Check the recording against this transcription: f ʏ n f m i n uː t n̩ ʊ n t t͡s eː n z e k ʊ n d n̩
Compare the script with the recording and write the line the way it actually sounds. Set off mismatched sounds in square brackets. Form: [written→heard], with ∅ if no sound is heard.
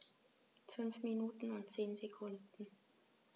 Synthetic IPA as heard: f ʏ n f m i n uː t n̩ ʊ n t t͡s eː n z e [k→kʰ] ʊ n d n̩